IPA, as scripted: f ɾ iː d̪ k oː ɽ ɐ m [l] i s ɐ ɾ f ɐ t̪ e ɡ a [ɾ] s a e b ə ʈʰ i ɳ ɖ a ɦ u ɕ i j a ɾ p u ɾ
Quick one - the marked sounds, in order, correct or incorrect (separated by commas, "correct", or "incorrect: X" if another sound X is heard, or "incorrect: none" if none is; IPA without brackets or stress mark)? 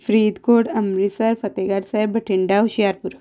incorrect: ɾ, correct